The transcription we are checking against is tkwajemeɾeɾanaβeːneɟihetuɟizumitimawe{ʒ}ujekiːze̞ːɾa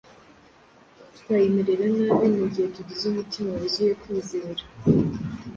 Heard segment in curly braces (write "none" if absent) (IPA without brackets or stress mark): z